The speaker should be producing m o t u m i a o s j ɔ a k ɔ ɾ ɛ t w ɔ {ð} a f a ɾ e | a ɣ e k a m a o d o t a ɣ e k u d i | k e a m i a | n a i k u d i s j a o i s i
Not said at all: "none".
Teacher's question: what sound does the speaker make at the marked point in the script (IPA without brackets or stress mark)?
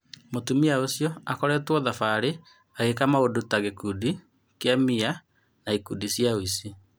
ð